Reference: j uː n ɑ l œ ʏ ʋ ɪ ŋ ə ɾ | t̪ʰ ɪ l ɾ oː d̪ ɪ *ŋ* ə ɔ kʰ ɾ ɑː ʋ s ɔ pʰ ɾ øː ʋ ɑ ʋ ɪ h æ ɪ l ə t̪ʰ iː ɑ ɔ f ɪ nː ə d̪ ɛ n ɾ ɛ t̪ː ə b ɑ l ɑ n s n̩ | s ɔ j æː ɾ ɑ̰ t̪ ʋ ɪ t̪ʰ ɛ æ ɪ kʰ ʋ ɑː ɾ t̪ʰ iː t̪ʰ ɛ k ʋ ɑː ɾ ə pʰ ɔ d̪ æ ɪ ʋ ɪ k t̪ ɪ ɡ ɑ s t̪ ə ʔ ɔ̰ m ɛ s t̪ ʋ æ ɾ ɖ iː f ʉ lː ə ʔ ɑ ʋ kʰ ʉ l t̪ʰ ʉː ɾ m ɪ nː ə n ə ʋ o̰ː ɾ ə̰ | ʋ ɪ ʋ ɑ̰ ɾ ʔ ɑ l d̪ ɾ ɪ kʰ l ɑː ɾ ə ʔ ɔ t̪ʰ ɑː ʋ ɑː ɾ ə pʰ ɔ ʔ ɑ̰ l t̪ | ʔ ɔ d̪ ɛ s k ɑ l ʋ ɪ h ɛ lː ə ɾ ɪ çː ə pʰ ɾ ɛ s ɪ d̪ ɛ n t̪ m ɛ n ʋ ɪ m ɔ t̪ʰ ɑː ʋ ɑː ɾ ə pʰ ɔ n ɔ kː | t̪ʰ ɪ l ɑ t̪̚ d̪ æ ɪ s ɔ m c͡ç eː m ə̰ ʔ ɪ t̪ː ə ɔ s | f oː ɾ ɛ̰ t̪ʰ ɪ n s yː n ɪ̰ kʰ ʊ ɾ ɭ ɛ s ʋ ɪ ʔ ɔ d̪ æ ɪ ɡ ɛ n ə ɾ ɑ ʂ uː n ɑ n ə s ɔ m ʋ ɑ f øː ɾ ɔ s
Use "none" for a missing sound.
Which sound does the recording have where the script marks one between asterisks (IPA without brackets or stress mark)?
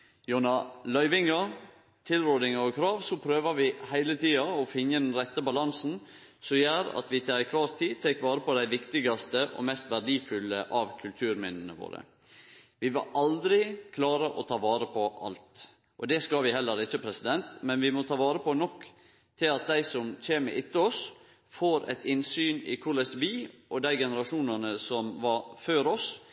ŋ